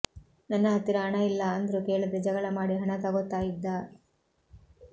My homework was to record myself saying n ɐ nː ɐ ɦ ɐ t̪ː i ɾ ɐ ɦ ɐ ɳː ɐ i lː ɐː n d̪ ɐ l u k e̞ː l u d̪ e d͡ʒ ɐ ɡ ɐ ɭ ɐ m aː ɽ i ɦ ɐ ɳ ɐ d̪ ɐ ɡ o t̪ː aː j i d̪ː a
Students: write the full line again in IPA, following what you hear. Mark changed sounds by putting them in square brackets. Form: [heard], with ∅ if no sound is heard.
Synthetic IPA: n ɐ nː ɐ ɦ ɐ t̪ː i ɾ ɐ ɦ ɐ [ɳ] ɐ i lː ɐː n d̪ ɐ [ɾ] u k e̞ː [ɭ] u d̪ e d͡ʒ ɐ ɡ ɐ ɭ ɐ m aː ɽ i ɦ ɐ ɳ ɐ [t̪] ɐ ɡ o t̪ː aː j i d̪ː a